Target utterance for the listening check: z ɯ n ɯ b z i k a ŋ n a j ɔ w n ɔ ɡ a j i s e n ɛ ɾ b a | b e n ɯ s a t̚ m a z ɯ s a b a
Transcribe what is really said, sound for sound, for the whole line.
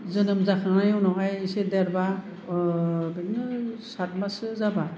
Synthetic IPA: z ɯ n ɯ m z a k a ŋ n a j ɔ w n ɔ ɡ a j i s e d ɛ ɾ b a | b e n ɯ s a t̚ m a s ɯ z a b a